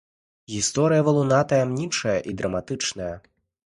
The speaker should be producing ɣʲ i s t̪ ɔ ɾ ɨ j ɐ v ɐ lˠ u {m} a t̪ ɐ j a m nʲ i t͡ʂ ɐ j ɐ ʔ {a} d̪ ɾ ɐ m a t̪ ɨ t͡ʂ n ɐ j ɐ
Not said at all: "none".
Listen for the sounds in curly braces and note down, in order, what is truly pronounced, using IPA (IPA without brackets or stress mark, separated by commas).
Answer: n, i